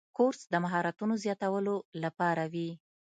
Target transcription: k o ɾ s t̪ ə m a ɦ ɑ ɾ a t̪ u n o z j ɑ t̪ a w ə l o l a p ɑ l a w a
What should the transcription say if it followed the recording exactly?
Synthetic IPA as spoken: k o ɾ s d̪ ə m a ɦ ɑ ɾ a t̪ u n o z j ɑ t̪ a w ə l o l a p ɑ ɾ a w i